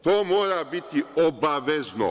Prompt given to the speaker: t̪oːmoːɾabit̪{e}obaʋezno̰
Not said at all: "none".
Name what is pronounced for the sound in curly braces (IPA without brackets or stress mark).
i